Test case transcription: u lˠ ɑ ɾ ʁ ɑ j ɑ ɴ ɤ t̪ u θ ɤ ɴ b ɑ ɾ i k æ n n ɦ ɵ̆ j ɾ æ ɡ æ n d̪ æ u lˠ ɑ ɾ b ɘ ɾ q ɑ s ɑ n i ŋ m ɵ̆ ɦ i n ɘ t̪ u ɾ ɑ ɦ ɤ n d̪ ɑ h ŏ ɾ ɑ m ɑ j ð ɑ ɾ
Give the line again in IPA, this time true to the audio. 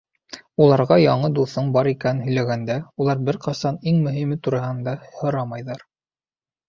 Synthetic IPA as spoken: u lˠ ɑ ɾ ʁ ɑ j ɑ ɴ ɤ d̪ u θ ɤ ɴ b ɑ ɾ i k æ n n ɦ ɵ̆ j l æ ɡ æ n d̪ æ u lˠ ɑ ɾ b ɘ ɾ q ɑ s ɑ n i ŋ m ɵ̆ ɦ i m ɘ t̪ u ɾ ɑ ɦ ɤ n d̪ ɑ h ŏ ɾ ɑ m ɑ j ð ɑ ɾ